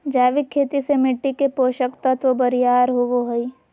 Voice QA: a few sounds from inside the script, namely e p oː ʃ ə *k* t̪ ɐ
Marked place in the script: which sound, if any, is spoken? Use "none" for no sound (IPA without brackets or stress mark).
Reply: k